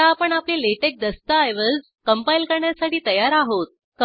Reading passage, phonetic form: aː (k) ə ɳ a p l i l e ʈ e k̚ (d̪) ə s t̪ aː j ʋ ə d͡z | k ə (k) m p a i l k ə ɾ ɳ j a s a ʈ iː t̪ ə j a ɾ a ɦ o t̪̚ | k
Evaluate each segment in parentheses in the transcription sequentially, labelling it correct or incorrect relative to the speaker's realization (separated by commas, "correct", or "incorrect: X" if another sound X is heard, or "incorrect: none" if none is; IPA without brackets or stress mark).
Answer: incorrect: p, correct, incorrect: none